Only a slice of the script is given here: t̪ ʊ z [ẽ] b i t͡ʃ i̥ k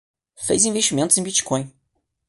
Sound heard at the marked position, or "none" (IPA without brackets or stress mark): ẽ